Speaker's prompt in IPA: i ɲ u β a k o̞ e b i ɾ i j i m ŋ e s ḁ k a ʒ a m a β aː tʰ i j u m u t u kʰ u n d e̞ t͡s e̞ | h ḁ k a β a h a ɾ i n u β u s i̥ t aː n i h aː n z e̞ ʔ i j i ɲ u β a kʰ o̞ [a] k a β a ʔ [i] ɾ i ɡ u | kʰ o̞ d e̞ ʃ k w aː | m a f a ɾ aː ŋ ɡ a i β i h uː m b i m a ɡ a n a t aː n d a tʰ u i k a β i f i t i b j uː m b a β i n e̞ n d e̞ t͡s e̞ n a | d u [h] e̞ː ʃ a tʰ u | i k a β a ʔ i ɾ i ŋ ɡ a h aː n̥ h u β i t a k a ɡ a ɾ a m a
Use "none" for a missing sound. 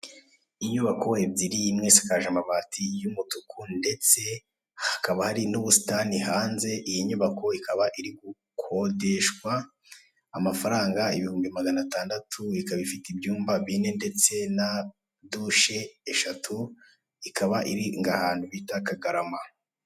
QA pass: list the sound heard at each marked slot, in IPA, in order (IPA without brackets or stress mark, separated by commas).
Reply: i, i, ʃ